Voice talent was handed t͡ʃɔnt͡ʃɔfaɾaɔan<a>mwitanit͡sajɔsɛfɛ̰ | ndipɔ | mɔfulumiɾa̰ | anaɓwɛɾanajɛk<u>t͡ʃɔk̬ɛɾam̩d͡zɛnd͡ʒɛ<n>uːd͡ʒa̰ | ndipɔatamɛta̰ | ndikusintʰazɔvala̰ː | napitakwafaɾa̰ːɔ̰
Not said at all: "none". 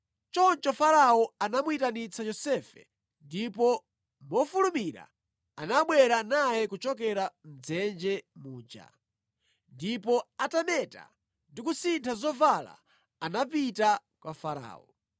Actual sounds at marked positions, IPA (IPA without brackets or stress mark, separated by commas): a, u, m